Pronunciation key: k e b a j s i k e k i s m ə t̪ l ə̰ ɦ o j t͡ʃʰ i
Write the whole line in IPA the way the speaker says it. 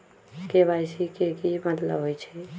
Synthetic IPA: k e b a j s i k e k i m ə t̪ l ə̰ ɦ o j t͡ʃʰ ɛ